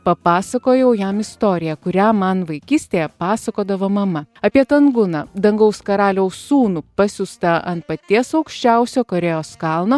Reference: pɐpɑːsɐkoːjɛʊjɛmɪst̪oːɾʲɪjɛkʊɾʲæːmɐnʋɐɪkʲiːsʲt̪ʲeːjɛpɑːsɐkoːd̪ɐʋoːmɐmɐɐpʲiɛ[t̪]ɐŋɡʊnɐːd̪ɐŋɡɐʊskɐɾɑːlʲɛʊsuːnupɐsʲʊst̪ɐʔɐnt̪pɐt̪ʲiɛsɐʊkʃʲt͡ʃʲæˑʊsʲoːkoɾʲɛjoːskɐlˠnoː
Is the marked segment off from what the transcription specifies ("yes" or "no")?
no